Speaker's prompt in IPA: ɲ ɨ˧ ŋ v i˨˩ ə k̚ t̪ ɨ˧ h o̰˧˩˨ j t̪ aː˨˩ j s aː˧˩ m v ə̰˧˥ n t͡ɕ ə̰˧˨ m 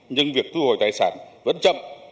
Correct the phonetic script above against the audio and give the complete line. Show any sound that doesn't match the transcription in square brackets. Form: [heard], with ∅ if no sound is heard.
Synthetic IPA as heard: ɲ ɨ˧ ŋ v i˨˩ ə k̚ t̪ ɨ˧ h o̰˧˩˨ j t̪ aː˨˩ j s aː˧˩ [n] v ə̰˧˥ n t͡ɕ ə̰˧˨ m